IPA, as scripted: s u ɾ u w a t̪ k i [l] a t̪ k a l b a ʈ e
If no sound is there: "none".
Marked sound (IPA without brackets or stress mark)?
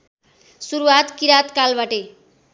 ɾ